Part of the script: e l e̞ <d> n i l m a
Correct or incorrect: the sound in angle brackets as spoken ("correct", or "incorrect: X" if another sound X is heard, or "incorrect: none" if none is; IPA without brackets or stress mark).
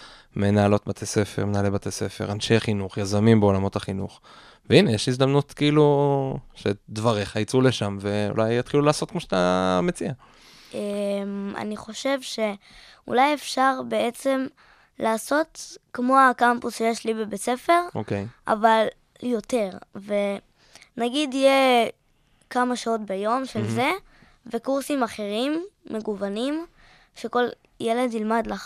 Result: correct